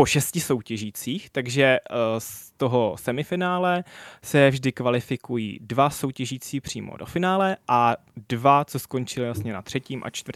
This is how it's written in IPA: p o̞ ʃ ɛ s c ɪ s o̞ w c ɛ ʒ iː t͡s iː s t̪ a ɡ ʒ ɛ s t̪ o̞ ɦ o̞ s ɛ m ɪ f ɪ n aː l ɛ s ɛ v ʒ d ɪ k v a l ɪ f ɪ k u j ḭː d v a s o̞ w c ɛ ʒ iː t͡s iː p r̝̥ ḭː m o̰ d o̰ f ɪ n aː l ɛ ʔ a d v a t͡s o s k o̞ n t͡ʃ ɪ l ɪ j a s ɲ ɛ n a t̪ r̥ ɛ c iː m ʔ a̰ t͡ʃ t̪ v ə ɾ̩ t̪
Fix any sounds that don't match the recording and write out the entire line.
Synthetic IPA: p o̞ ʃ ɛ s c ɪ s o̞ w c ɛ ʒ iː t͡s iː x t̪ a ɡ ʒ ɛ s t̪ o̞ ɦ o̞ s ɛ m ɪ f ɪ n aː l ɛ s ɛ v ʒ d ɪ k v a l ɪ f ɪ k u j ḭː d v a s o̞ w c ɛ ʒ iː t͡s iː p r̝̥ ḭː m o̰ d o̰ f ɪ n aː l ɛ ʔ a d v a t͡s o s k o̞ n t͡ʃ ɪ l ɪ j a s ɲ ɛ n a t̪ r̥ ɛ c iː m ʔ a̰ t͡ʃ t̪ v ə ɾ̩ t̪